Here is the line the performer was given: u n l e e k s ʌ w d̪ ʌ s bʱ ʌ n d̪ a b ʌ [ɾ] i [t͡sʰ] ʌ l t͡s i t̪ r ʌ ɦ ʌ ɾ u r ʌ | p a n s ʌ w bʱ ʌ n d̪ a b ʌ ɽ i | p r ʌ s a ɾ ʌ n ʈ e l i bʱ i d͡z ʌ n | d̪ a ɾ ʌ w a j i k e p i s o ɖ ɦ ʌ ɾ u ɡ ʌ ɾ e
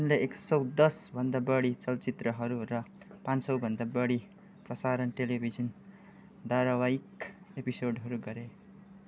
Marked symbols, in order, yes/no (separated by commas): no, no